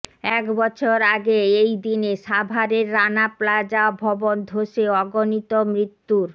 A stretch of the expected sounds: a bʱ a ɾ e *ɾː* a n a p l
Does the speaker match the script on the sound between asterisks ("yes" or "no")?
yes